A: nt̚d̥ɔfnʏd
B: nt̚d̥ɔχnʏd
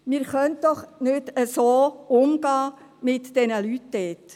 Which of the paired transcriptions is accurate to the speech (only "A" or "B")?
B